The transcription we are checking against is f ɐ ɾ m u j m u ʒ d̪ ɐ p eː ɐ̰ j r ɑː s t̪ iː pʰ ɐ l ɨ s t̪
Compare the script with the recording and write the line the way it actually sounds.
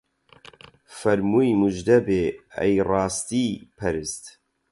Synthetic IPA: f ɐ ɾ m u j m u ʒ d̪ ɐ b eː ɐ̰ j r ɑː s t̪ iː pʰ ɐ ɾ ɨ s t̪